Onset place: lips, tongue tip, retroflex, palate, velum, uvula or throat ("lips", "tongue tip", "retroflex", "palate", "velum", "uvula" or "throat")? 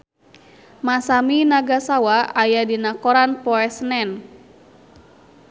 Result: lips